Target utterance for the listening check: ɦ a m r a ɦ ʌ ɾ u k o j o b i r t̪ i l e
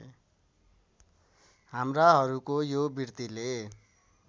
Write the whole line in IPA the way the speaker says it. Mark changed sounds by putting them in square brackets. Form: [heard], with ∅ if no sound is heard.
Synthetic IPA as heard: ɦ a m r a ɦ ʌ ɾ u k o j o b i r t̪ i l e